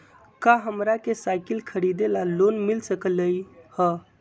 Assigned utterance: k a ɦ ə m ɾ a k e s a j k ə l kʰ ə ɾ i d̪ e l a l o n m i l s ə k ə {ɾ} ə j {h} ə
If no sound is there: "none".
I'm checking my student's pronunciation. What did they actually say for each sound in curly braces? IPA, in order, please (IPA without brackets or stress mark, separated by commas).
l, h